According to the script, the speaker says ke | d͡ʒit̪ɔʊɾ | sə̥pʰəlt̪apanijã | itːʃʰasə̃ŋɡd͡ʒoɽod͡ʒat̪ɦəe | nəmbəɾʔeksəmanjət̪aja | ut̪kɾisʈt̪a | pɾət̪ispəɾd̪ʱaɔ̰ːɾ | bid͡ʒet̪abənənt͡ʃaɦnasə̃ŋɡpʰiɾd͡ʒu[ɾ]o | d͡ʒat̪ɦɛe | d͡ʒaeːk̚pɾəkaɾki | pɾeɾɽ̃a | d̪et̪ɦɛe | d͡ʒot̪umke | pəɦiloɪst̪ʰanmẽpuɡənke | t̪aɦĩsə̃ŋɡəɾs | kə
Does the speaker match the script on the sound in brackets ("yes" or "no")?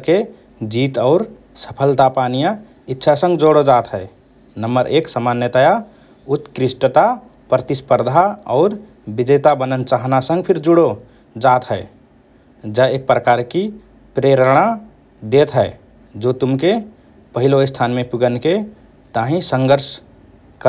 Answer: no